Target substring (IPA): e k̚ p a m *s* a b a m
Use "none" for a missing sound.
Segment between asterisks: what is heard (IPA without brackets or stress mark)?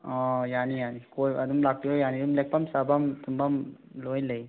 s